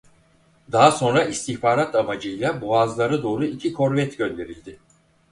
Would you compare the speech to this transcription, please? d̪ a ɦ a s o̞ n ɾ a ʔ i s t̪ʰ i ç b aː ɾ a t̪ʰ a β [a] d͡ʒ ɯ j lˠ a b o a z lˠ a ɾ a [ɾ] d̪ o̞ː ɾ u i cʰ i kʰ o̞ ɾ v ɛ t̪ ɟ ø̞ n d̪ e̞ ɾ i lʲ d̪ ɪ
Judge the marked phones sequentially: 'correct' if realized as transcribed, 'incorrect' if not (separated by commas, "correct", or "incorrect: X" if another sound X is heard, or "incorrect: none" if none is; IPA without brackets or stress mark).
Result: correct, incorrect: none